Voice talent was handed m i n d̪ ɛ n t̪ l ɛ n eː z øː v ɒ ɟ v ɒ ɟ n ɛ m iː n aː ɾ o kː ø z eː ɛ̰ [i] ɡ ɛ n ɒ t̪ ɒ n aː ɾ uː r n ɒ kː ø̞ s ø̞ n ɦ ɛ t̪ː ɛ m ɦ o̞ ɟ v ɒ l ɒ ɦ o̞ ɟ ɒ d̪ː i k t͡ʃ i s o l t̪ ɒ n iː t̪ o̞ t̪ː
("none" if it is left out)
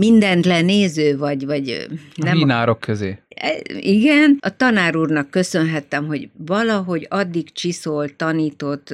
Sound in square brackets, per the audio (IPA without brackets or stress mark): i